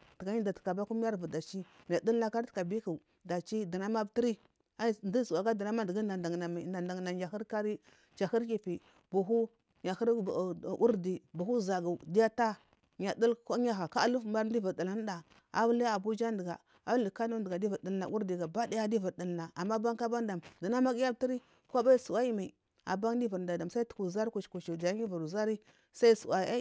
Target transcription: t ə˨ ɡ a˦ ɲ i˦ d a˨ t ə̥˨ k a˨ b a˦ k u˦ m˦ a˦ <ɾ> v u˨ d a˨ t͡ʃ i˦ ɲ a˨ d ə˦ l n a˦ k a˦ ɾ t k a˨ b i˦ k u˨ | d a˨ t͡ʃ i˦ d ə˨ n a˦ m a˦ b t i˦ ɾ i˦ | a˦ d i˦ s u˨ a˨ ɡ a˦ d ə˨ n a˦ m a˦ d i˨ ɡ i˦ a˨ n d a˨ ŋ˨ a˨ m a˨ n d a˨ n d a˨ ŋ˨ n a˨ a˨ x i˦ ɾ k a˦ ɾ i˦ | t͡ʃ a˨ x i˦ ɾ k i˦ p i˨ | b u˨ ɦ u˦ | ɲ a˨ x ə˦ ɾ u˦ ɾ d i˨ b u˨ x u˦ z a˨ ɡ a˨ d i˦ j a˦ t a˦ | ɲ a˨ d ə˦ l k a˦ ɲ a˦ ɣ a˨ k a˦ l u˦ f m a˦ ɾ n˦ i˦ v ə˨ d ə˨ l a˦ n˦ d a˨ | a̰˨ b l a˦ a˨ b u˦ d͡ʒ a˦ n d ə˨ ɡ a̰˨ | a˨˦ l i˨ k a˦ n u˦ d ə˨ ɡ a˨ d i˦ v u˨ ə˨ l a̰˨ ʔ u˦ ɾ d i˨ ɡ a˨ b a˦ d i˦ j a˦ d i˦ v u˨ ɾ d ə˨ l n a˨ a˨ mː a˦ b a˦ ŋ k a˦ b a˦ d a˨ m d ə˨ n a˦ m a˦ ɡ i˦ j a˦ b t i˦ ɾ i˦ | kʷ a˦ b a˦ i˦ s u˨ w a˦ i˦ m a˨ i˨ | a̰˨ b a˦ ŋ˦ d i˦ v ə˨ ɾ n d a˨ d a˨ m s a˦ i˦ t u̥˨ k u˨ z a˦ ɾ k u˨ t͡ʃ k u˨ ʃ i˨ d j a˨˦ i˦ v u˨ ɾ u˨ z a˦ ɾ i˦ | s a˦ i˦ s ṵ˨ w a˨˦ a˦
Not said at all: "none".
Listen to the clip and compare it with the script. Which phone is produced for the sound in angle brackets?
ɾ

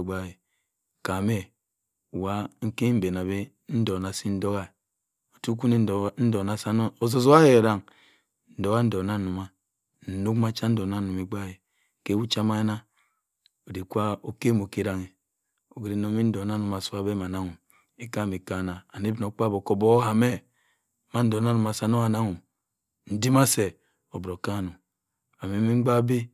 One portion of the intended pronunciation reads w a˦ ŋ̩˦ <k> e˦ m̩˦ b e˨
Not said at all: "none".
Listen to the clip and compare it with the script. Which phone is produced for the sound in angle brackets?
k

